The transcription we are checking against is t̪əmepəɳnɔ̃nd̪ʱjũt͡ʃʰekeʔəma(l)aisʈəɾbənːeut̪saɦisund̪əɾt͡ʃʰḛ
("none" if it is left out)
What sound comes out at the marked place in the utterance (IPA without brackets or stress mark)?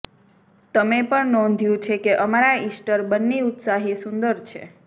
ɾ